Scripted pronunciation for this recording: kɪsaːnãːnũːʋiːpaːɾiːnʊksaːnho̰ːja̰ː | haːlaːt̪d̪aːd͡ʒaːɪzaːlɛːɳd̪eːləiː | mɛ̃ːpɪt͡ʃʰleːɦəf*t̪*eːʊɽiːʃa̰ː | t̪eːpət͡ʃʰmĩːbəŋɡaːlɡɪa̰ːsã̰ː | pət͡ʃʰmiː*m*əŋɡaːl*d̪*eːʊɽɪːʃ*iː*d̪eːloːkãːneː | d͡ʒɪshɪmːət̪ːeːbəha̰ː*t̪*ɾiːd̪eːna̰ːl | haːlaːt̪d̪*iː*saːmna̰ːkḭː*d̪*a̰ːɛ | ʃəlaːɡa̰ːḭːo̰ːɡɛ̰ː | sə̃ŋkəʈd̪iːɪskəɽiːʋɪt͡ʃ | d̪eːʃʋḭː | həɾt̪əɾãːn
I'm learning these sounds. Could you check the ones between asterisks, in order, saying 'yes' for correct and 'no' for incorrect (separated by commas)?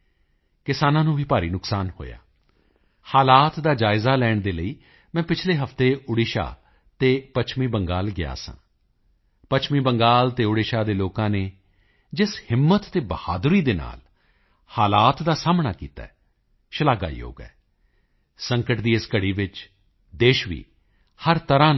yes, no, no, no, no, no, no